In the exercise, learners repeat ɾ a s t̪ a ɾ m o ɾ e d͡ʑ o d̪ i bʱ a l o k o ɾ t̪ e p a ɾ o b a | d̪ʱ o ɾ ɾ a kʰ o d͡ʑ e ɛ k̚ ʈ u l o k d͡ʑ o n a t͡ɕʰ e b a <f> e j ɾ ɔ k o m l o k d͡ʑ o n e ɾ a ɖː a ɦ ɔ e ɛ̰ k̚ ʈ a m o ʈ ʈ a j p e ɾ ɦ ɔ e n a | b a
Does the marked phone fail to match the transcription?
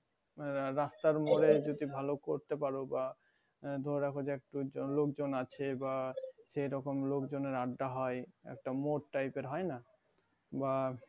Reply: yes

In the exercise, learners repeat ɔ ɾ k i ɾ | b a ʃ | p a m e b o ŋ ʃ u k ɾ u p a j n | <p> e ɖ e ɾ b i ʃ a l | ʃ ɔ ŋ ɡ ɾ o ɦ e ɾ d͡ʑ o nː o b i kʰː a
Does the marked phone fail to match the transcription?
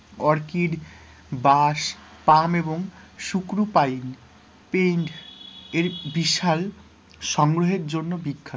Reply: no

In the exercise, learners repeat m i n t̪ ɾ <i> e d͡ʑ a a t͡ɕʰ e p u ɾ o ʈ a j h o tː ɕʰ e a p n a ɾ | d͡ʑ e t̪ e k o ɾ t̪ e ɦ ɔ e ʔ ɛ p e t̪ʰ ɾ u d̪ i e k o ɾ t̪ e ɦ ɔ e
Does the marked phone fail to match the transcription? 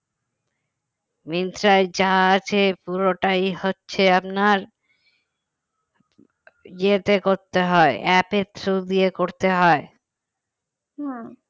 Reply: yes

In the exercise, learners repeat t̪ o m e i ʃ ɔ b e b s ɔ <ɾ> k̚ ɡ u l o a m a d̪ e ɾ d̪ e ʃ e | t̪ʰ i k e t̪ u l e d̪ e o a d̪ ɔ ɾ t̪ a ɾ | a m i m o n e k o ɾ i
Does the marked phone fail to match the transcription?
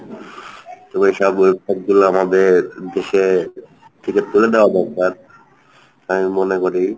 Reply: yes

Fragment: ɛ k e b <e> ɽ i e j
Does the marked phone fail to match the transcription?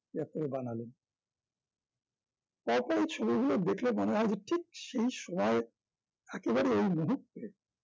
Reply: yes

